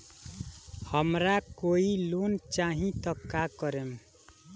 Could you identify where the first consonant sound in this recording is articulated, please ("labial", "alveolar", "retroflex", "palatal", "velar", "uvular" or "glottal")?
glottal